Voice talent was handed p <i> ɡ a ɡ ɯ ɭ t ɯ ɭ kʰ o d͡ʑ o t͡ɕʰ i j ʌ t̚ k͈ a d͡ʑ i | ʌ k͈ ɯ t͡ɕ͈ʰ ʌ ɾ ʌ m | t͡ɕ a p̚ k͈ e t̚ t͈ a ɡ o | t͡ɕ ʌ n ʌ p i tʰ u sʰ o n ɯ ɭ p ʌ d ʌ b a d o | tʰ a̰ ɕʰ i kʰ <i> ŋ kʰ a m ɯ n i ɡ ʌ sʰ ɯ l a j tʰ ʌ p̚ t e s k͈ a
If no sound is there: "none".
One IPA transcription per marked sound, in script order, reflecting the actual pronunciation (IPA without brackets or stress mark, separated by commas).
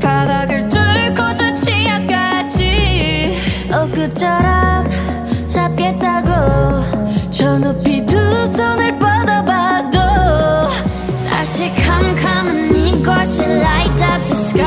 a, a